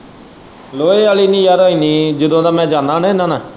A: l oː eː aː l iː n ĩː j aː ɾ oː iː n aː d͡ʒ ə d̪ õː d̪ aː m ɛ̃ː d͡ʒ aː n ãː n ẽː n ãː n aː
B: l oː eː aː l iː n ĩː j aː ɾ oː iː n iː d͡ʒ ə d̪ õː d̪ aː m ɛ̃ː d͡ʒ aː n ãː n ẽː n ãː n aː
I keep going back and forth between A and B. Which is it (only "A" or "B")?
B